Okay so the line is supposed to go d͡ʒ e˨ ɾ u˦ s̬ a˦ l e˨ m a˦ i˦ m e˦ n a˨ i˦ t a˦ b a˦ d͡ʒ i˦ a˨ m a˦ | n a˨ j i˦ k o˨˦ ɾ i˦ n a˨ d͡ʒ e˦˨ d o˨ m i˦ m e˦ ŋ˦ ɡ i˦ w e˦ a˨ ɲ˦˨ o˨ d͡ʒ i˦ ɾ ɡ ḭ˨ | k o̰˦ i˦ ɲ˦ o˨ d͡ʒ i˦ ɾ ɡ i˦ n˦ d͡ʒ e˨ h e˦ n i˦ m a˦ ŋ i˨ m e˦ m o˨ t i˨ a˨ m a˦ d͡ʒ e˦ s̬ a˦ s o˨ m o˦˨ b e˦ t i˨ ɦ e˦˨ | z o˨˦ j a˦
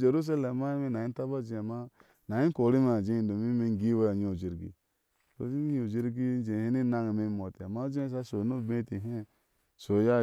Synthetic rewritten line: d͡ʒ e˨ ɾ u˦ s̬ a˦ l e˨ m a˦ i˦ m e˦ n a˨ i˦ t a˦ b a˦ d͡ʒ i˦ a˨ m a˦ | n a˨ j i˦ k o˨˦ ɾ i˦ m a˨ d͡ʒ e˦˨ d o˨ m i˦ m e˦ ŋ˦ ɡ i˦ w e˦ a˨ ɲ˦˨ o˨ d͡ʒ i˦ ɾ ɡ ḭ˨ | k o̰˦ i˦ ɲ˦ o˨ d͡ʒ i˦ ɾ ɡ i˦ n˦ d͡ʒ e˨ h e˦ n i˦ n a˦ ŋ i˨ m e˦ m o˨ t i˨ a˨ m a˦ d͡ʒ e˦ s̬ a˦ s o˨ n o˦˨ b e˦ t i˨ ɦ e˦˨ | s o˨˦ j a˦

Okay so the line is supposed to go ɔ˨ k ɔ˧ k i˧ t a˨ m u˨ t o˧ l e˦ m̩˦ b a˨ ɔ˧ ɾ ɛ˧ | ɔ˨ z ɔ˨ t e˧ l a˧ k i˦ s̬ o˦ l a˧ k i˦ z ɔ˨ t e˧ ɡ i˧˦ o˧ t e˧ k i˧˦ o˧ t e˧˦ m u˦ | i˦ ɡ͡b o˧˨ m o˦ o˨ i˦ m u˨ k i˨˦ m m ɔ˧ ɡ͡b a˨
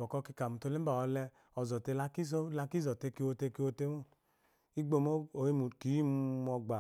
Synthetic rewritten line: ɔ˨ k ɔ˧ k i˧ k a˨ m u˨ t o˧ l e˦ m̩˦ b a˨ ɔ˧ l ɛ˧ | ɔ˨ z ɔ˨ t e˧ l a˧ k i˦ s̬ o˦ l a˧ k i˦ z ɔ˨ t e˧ k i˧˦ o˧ t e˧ k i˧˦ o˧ t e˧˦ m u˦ | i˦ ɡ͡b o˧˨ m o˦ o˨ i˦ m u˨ k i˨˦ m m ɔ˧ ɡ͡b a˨

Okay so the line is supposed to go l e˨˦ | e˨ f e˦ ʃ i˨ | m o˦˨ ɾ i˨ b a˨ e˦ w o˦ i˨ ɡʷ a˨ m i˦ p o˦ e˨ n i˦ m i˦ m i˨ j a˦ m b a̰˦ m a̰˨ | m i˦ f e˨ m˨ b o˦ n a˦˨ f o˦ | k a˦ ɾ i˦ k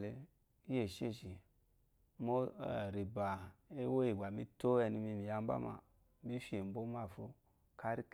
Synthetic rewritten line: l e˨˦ | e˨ ʃ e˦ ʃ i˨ | m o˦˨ ɾ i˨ b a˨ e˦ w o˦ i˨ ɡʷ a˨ m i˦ t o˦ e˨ n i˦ m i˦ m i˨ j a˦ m b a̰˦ m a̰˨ | m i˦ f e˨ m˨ b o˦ m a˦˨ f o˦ | k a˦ ɾ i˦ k

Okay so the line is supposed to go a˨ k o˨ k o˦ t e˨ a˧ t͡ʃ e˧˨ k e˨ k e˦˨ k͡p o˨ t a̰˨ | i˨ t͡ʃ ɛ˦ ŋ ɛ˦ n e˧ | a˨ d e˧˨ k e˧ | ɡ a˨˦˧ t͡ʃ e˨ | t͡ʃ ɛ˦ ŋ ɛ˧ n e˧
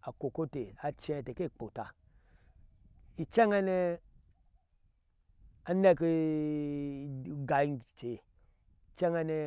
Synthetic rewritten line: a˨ k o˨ k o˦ t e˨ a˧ t͡ʃ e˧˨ t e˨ k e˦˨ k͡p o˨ t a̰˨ | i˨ t͡ʃ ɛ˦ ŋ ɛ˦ n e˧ | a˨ n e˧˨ k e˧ | ɡ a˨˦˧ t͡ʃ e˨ | t͡ʃ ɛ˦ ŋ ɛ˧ n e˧

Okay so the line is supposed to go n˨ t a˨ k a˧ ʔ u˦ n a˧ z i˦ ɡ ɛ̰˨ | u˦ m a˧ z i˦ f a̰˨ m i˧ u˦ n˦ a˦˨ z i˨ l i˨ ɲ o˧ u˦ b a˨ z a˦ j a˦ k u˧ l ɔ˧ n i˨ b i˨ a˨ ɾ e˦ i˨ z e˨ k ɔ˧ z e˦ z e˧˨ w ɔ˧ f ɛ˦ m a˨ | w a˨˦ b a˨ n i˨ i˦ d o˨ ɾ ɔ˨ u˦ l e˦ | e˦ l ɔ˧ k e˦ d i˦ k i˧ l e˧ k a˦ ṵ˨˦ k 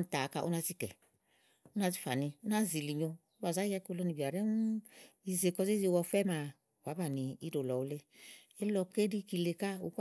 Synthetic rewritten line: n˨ t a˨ k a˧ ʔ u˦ n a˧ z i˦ k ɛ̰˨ | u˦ n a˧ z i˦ f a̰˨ n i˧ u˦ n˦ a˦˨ z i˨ l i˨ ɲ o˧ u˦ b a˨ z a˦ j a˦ k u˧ l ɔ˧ n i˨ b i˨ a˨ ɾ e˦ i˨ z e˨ k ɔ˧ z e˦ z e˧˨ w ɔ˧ f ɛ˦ m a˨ | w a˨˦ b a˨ n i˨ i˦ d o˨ l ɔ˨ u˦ l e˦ | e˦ l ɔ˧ k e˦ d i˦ k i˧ l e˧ k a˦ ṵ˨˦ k

